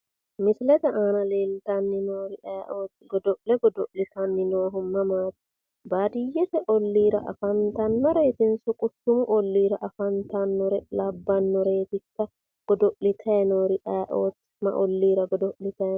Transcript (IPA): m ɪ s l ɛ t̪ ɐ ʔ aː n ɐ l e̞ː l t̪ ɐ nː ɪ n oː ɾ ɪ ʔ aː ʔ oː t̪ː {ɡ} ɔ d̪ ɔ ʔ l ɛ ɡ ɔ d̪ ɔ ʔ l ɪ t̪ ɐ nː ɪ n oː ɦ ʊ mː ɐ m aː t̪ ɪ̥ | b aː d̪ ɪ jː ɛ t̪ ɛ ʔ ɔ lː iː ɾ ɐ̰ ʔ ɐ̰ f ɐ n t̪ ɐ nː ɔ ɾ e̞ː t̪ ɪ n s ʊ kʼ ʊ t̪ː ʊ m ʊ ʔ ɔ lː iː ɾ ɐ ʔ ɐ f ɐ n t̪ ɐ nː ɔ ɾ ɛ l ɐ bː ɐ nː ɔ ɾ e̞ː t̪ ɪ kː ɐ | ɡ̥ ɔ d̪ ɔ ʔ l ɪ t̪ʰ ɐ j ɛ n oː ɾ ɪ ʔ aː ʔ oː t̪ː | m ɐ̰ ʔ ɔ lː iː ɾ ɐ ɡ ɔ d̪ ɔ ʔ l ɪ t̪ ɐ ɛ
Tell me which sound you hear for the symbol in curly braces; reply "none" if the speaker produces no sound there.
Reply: ɡ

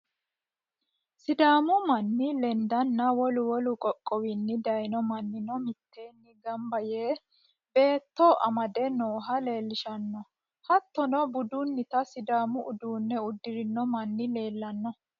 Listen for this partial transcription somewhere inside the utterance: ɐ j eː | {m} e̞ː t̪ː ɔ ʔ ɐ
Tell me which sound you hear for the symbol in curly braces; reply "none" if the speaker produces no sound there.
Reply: b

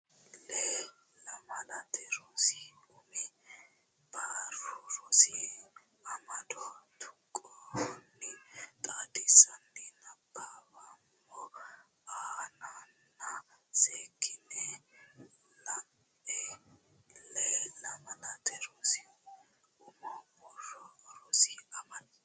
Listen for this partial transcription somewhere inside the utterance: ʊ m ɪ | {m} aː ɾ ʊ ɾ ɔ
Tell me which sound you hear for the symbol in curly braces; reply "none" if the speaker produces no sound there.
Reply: b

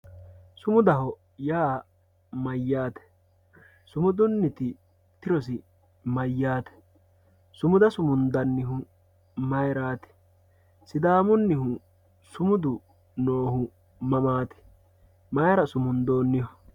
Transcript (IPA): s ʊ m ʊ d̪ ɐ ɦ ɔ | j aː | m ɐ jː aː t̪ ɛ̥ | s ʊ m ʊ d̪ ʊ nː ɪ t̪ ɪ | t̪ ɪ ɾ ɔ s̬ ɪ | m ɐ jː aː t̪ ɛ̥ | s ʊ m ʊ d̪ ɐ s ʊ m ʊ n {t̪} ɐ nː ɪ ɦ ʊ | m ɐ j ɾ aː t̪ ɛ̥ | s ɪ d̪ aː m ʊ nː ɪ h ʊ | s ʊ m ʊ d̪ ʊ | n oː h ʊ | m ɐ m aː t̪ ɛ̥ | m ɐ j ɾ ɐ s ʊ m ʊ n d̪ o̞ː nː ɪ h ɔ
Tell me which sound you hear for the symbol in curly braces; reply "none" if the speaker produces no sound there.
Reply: d̪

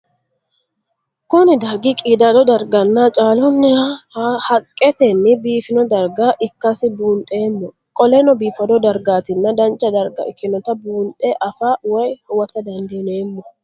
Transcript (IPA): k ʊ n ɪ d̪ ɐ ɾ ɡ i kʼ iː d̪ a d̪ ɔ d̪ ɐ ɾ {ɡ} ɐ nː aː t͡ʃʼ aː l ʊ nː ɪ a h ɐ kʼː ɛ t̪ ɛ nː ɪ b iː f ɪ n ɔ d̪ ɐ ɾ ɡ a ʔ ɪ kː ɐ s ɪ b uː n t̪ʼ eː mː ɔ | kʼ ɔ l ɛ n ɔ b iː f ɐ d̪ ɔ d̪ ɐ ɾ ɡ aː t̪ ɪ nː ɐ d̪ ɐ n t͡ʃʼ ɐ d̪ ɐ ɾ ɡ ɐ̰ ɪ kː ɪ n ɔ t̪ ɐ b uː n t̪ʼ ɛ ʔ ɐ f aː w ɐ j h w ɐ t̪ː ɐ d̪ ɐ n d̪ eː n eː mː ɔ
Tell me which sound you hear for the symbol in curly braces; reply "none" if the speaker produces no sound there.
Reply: ɡ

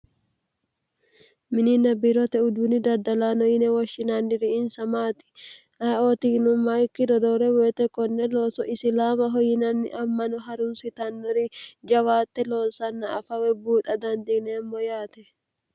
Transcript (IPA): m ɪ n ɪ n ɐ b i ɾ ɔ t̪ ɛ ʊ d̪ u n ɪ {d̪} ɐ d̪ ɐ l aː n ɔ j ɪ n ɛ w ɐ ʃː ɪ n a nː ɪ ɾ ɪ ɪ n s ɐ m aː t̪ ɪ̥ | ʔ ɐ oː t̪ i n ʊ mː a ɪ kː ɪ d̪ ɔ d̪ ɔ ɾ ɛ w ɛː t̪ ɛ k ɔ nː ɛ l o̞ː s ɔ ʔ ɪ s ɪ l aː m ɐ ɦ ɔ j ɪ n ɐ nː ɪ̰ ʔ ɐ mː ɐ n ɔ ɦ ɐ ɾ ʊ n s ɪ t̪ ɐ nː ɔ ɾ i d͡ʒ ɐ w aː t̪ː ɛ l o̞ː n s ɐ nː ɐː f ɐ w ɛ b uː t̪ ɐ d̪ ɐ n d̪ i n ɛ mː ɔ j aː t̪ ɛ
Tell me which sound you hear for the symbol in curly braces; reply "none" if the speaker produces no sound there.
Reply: d̪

